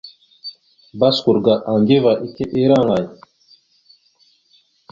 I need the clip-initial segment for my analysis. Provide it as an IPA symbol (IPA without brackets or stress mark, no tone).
b